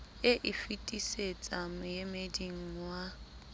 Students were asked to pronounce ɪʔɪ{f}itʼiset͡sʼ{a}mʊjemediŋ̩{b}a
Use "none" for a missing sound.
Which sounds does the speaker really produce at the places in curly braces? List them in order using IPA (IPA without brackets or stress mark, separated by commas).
f, a, w